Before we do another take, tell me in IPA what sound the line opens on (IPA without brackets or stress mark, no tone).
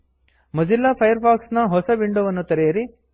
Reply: m